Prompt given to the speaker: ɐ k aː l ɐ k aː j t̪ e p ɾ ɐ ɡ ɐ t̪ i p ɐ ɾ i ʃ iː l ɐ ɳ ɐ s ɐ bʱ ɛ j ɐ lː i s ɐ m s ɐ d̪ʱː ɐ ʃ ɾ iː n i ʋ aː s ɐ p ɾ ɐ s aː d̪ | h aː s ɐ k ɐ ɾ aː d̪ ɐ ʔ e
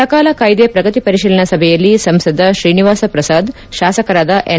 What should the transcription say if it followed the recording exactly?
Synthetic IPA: ɐ k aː l ɐ k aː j d̪ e p ɾ ɐ ɡ ɐ t̪ i p ɐ ɾ i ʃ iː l ɐ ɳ ɐ s ɐ bʱ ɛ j ɐ lː i s ɐ m s ɐ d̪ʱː ɐ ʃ ɾ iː n i ʋ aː s ɐ p ɾ ɐ s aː d̪ | ʃ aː s ɐ k ɐ ɾ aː d̪ ɐ ʔ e

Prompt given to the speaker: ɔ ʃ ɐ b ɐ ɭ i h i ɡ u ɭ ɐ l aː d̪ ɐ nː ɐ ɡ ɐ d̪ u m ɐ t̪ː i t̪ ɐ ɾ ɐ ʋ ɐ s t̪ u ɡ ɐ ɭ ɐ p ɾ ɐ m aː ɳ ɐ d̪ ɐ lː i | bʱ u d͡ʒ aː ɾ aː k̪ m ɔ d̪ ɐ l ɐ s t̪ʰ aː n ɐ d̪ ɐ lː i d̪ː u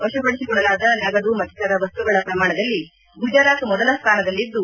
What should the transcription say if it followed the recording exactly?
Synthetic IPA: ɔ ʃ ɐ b ɐ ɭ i s i ɡ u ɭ ɐ l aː d̪ ɐ n ɐ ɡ ɐ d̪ u m ɐ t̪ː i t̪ ɐ ɾ ɐ ʋ ɐ s t̪ u ɡ ɐ ɭ ɐ p ɾ ɐ m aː ɳ ɐ d̪ ɐ lː i | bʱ u d͡ʒ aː ɾ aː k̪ m ɔ d̪ ɐ l ɐ s t̪ʰ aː n ɐ d̪ ɐ lː i d̪ː u

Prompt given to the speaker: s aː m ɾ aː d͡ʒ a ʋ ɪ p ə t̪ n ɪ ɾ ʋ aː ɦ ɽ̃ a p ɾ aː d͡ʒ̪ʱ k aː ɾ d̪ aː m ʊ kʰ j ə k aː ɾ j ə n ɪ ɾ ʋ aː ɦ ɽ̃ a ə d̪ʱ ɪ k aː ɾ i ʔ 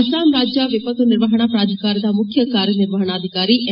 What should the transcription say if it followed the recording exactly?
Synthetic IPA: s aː m ɾ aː d͡ʒ a ʋ ɪ p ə t̪ n ɪ ɾ ʋ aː ɦ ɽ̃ a p ɾ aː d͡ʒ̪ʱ k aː ɾ d̪ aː m ʊ kʰ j ə k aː ɾ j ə n ɪ ɾ ʋ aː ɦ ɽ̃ a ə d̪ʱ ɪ k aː ɾ i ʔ

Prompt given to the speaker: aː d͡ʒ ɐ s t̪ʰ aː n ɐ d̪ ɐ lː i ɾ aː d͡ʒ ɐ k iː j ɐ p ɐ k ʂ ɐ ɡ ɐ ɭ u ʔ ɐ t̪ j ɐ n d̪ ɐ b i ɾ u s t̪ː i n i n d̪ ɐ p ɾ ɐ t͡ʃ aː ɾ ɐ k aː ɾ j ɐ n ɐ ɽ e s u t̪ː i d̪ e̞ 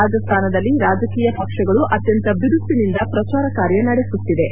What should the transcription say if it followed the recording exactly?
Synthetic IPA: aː d͡ʒ ɐ s t̪ʰ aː n ɐ d̪ ɐ lː i ɾ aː d͡ʒ ɐ k iː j ɐ p ɐ k ʂ ɐ ɡ ɐ ɭ u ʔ ɐ t̪ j ɐ n t̪ ɐ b i ɾ u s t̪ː i n i n d̪ ɐ p ɾ ɐ t͡ʃ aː ɾ ɐ k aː ɾ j ɐ n ɐ ɽ e s u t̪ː i d̪ e̞

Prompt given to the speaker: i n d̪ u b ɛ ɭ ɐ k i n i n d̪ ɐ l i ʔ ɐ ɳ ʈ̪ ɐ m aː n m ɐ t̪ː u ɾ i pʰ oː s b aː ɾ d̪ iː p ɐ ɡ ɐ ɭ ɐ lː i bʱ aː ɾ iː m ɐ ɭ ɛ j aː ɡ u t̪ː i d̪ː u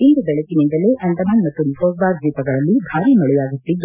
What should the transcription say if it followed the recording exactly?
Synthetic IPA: i n d̪ u b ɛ ɭ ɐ k i n i n d̪ ɐ l e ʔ ɐ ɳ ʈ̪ ɐ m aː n m ɐ t̪ː u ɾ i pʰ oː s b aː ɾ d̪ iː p ɐ ɡ ɐ ɭ ɐ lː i bʱ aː ɾ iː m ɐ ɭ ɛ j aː ɡ u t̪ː i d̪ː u

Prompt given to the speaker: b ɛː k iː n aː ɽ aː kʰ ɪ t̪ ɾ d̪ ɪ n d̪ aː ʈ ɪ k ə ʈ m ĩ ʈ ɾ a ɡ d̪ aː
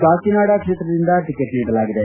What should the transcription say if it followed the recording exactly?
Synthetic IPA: b aː k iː n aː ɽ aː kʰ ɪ t̪ ɾ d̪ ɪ n d̪ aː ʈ ɪ k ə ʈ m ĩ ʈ l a ɡ d̪ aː

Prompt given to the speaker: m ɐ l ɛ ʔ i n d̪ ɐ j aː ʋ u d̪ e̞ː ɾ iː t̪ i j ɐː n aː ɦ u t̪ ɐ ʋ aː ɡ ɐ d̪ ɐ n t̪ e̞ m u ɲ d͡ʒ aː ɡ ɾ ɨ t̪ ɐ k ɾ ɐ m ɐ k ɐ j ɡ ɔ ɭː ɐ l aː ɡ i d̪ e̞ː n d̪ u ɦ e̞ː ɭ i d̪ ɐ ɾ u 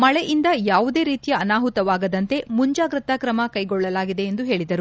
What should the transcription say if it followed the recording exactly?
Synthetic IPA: m ɐ ɭ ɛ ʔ i n d̪ ɐ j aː ʋ u d̪ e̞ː ɾ iː t̪ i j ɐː n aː ɦ u t̪ ɐ ʋ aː ɡ ɐ d̪ ɐ n t̪ e̞ m u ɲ d͡ʒ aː ɡ ɾ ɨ t̪ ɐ k ɾ ɐ m ɐ k ɐ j ɡ ɔ ɭː ɐ l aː ɡ i d̪ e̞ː n d̪ u ɦ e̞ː ɭ i d̪ ɐ ɾ u

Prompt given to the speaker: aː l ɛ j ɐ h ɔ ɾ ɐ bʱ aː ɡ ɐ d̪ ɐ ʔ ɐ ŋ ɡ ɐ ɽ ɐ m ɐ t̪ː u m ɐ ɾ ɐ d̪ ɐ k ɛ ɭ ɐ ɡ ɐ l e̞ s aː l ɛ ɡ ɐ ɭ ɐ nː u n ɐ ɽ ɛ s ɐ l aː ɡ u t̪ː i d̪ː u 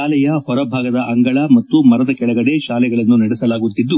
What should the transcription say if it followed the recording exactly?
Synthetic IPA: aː l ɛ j ɐ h ɔ ɾ ɐ bʱ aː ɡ ɐ d̪ ɐ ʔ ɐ ŋ ɡ ɐ ɭ ɐ m ɐ t̪ː u m ɐ ɾ ɐ d̪ ɐ k ɛ ɭ ɐ ɡ ɐ ɽ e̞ ʃ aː l ɛ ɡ ɐ ɭ ɐ nː u n ɐ ɽ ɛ s ɐ l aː ɡ u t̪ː i d̪ː u

